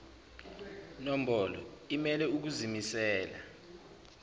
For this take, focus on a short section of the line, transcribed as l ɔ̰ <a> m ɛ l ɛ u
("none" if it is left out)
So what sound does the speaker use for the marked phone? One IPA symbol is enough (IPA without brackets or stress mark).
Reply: i